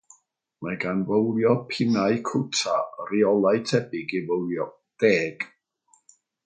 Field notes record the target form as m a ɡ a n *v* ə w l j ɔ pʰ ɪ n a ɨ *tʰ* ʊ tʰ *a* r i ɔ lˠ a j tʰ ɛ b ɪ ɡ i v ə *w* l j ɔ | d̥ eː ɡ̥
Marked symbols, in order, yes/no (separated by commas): yes, no, yes, yes